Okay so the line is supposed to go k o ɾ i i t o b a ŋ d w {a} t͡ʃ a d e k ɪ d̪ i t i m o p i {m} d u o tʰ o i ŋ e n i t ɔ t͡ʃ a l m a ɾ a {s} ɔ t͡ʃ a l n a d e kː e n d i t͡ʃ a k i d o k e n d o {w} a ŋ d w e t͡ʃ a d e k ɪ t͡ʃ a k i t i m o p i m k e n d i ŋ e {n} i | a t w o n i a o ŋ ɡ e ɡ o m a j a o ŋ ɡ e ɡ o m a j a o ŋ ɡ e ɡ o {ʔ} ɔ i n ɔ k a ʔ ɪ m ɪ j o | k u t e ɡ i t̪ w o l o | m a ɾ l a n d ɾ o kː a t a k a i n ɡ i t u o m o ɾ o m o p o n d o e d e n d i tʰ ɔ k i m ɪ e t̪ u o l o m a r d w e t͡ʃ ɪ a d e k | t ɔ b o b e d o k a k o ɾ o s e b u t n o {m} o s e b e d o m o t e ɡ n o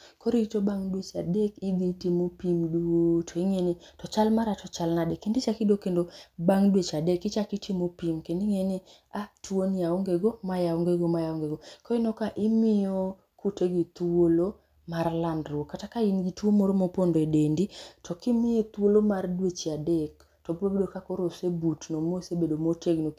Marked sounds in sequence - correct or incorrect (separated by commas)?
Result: incorrect, correct, incorrect, incorrect, correct, incorrect, correct